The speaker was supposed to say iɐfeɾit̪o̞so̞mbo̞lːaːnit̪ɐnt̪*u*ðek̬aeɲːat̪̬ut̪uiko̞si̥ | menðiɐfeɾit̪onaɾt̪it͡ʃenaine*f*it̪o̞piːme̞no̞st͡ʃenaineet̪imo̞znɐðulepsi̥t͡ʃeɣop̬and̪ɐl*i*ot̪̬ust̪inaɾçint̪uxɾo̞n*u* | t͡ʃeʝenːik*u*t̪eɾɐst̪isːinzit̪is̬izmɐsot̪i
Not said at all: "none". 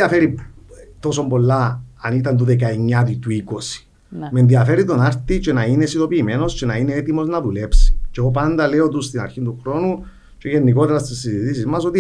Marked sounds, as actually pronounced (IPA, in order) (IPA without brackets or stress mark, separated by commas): u, s, e, u, o